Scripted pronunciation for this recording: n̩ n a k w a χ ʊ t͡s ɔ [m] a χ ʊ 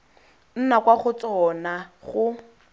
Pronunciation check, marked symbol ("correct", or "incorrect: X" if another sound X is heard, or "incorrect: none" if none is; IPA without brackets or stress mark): incorrect: n